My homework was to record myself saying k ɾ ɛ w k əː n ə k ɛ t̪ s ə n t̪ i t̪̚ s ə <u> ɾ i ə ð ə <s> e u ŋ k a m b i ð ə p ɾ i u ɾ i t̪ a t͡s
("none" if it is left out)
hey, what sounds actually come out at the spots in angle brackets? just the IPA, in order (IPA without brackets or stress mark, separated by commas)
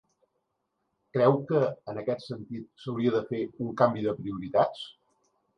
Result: w, f